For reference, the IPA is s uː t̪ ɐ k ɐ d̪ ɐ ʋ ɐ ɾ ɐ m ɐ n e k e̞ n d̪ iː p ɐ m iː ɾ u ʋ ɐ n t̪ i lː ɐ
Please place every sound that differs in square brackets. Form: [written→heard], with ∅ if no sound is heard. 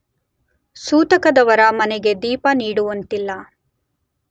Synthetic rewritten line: s uː t̪ ɐ k ɐ d̪ ɐ ʋ ɐ ɾ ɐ m ɐ n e [k→ɡ] e̞ [n→∅] d̪ iː p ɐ [m→n] iː [ɾ→ɽ] u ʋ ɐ n t̪ i lː ɐ